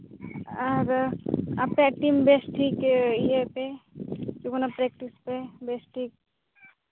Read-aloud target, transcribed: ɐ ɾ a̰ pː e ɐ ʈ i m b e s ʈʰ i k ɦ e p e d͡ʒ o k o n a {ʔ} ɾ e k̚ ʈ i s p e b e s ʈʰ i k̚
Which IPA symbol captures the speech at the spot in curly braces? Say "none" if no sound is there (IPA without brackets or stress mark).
p